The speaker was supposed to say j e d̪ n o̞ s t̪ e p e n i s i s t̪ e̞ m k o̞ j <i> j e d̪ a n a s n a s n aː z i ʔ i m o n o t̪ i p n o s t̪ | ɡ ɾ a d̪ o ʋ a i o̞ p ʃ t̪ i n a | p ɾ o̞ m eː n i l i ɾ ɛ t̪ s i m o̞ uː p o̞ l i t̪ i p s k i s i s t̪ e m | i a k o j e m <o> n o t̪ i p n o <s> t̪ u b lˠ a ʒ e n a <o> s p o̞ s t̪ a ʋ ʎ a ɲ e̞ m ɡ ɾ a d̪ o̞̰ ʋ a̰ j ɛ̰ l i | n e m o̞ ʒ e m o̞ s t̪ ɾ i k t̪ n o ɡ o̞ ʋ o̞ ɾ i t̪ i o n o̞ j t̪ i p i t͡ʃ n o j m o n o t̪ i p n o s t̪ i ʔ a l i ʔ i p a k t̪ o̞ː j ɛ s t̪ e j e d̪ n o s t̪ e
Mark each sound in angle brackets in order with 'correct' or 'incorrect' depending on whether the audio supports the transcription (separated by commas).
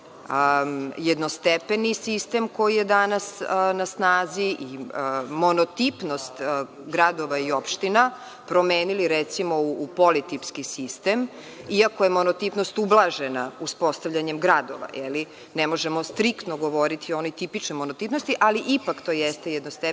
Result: correct, correct, correct, incorrect